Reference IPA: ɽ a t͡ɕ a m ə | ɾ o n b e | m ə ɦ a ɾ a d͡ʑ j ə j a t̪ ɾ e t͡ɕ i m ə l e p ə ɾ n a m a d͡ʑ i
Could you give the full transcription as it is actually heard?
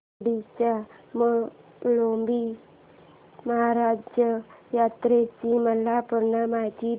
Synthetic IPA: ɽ i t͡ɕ a m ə | l o m b i | m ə ɦ a ɾ a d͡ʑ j ə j a t̪ ɾ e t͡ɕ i m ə l a p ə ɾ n a m a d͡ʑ i

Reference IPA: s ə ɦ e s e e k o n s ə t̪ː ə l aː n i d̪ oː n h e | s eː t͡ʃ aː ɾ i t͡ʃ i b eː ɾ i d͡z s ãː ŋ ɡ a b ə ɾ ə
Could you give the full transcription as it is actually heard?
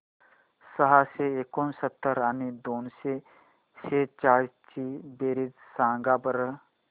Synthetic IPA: s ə ɦ a s e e k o n s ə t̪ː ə ɾ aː n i d̪ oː n s e | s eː t͡ʃ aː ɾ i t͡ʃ i b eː ɾ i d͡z s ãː ŋ ɡ a b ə ɾ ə

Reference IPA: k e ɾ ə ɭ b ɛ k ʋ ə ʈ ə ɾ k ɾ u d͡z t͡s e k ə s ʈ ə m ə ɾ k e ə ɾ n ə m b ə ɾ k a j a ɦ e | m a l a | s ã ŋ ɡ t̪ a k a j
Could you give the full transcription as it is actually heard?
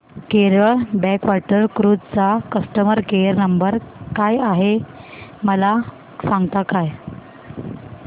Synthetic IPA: k e ɾ ə ɭ b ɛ k ʋ a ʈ ə ɾ k ɾ u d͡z t͡s a k ə s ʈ ə m ə ɾ k e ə ɾ n ə m b ə ɾ k a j a ɦ e | m ə l a | s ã ŋ ɡ t̪ a k a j

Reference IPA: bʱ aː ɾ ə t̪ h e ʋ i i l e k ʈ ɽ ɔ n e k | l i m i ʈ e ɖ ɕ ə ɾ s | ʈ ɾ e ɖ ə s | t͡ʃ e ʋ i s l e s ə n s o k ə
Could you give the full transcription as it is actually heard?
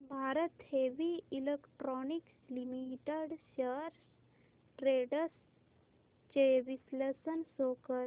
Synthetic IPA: bʱ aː ɾ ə t̪ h e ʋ i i l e k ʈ ɾ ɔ n i k | l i m i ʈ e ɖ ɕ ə ɾ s | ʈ ɾ e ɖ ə s | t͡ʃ e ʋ i s l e s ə n s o k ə

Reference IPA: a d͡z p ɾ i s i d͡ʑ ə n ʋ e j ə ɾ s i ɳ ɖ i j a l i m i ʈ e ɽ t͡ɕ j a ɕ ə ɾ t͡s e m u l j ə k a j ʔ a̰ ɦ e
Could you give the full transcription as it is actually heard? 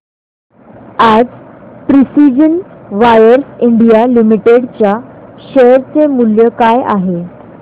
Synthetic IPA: a d͡z p ɾ i s i d͡ʑ ə n ʋ a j ə ɾ s i ɳ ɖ i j a l i m i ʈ e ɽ t͡ɕ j a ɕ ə ɾ t͡s e m u l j ə k a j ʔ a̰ ɦ e

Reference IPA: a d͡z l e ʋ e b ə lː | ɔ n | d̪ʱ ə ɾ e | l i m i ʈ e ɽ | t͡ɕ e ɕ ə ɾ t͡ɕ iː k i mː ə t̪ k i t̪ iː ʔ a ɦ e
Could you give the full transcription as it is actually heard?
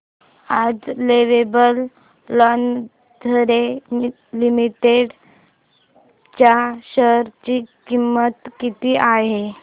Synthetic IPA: a d͡z l e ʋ e b ə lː | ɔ n | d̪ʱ ə ɾ e | l i m i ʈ e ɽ | t͡ɕ a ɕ ə ɾ t͡ɕ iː k i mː ə t̪ k i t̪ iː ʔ a ɦ e

